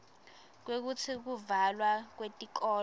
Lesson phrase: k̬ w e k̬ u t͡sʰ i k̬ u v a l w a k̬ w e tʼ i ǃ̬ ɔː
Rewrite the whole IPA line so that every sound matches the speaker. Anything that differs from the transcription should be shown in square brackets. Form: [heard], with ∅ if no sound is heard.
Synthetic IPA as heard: k̬ w e k̬ u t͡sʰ i k̬ u v a l w a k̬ w e tʼ i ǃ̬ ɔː